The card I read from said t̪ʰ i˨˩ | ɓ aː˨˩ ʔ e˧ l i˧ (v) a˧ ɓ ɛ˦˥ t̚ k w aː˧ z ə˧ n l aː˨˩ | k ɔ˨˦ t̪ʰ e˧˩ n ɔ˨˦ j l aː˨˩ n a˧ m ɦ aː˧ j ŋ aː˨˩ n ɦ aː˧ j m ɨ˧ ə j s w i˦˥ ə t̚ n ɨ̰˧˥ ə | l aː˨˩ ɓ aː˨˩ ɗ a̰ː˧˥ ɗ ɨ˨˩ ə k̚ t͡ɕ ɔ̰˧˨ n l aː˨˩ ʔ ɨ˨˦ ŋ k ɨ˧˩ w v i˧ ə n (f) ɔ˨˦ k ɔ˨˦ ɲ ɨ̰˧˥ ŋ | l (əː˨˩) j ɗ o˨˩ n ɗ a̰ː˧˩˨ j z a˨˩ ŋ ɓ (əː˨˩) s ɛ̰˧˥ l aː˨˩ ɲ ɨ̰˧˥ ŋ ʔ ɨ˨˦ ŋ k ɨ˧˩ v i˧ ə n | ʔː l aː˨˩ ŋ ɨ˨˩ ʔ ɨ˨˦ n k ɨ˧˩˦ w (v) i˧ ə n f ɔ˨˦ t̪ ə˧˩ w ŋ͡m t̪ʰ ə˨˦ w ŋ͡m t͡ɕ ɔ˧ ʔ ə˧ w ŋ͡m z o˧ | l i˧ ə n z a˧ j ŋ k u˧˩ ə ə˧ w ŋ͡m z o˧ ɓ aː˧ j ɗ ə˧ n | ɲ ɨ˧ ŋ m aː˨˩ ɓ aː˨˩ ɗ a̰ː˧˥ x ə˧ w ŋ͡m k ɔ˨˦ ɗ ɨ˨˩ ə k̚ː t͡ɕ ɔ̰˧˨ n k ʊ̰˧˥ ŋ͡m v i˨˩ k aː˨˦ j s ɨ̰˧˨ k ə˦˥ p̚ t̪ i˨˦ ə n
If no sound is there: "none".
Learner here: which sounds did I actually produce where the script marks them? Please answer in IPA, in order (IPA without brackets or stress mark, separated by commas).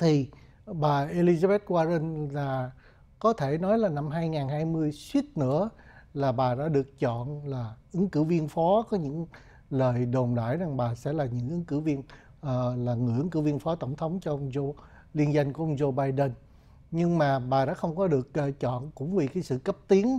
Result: z, f, əː˨˩, aː˨˩, v